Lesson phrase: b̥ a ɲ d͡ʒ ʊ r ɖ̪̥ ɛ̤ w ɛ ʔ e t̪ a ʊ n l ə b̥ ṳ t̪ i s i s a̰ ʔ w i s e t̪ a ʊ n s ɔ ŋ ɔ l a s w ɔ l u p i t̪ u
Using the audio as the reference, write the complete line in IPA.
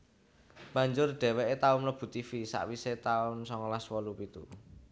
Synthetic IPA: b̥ a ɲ d͡ʒ ʊ r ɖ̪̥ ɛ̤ w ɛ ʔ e t̪ a ʊ n l ə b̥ ṳ t̪ i f i s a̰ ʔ w i s e t̪ a ʊ n s ɔ ŋ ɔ l a s w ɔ l u p i t̪ u